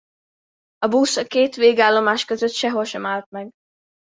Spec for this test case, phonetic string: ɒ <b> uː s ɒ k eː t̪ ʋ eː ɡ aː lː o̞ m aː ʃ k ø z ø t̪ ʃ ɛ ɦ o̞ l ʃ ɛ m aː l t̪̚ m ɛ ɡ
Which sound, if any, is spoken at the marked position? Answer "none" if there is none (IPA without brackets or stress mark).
b